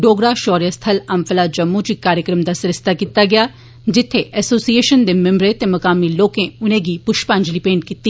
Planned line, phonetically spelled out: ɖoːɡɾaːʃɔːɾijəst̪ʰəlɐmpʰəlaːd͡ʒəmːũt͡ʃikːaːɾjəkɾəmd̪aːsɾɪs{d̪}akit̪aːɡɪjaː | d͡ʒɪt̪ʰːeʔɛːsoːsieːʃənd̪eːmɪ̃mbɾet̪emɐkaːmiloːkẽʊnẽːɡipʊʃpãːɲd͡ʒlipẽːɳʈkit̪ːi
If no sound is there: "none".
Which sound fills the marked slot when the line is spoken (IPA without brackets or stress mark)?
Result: t̪